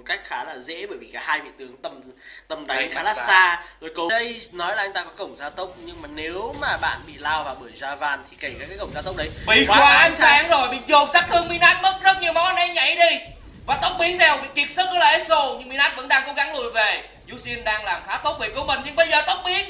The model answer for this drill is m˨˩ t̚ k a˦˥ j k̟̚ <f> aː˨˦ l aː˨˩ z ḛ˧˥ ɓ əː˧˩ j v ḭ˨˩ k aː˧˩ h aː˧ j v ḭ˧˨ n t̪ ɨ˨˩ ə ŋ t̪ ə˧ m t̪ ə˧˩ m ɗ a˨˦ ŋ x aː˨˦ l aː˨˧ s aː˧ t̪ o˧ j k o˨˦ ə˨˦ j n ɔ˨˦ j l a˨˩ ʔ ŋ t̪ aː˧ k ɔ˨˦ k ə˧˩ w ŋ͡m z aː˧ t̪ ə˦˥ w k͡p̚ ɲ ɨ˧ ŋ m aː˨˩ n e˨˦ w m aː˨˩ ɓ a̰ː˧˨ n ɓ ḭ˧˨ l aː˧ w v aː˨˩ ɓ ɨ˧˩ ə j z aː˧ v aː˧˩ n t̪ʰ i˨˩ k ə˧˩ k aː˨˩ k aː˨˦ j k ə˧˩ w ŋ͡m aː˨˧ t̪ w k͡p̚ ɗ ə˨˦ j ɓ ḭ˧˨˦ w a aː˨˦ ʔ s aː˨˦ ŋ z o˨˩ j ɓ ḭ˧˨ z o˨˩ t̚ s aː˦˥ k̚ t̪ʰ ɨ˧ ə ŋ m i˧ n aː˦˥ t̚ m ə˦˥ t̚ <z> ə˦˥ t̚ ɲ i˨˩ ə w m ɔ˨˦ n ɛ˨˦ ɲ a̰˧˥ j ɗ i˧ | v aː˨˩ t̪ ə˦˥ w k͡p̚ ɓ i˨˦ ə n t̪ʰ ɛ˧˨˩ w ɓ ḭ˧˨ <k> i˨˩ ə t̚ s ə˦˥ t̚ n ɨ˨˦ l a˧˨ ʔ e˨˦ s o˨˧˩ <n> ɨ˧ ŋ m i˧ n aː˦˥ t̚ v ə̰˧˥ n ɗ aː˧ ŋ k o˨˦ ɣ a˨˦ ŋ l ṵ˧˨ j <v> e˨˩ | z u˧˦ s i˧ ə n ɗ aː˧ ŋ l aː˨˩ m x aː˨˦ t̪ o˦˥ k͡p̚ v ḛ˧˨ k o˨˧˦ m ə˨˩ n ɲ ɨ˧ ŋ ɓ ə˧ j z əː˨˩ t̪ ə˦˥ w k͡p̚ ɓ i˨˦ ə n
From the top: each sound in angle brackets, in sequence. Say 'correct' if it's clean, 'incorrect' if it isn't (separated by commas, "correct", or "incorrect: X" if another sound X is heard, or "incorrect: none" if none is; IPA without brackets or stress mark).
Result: incorrect: x, correct, correct, incorrect: ɲ, correct